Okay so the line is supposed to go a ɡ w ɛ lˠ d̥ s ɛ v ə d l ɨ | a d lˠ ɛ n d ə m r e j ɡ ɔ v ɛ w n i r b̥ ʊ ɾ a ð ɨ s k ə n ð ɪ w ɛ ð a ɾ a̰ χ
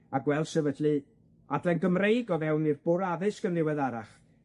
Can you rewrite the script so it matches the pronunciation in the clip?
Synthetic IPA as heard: a ɡ w ɛ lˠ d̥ s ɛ v ə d l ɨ | a d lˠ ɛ n ɡ ə m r e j ɡ ɔ v ɛ w n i r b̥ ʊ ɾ a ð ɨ s k ə n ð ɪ w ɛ ð a ɾ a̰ χ